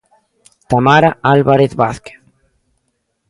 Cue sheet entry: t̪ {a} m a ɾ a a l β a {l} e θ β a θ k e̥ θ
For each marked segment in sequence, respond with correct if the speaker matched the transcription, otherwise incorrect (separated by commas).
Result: correct, incorrect